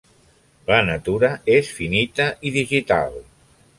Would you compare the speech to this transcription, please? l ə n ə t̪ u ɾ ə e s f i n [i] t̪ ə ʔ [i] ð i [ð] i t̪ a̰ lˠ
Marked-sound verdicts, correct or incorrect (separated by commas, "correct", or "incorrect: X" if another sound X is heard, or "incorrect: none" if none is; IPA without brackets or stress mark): correct, correct, incorrect: ʒ